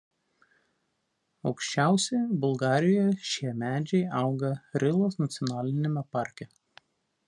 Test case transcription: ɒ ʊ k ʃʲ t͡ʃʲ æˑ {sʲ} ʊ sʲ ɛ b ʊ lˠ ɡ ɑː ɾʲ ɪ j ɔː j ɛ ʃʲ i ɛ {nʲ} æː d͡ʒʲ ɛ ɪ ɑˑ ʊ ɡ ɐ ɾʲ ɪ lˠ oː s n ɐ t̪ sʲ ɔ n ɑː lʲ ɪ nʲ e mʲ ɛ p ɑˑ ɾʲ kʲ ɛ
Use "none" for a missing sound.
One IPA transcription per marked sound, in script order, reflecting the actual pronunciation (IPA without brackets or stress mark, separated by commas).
none, mʲ